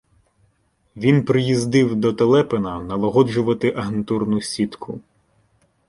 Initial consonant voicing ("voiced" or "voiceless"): voiced